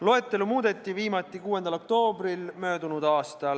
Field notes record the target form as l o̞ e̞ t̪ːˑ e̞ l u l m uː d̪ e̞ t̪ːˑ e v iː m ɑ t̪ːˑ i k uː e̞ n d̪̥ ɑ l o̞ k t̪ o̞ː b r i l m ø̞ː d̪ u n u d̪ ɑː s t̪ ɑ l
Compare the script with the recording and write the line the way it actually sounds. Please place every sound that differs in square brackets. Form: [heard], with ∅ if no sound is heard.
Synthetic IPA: l o̞ e̞ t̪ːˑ e̞ l u [∅] m uː d̪ e̞ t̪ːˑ [i] v iː m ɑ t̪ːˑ i k uː e̞ n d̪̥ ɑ l o̞ k t̪ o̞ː b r i l m ø̞ː d̪ u n u d̪ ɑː s t̪ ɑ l